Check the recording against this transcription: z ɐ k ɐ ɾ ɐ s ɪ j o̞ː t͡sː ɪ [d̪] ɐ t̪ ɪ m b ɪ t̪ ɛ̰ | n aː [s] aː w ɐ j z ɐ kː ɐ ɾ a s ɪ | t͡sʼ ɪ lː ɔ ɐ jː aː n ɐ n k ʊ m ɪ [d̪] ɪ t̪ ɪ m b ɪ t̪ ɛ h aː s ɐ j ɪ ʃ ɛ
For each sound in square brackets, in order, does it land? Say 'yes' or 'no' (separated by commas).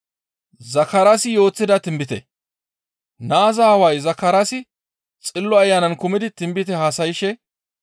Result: yes, no, yes